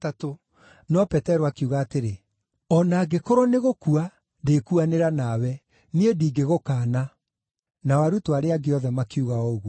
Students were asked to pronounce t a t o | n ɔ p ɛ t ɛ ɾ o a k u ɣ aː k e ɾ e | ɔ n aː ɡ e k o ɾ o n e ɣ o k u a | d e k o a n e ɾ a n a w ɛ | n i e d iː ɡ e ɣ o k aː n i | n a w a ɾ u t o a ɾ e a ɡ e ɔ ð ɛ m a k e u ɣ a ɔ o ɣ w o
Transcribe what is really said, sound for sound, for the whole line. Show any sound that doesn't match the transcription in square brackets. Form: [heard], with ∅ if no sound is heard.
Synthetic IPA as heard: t a t o | n ɔ p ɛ t ɛ ɾ o a k u ɣ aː [t] e ɾ e | ɔ n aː ɡ e k o ɾ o n e ɣ o k u a | d e k [u] a n e ɾ a n a w ɛ | n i e d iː ɡ e ɣ o k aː n [a] | n a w a ɾ u t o a ɾ e a ɡ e ɔ ð ɛ m a k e u ɣ a ɔ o ɣ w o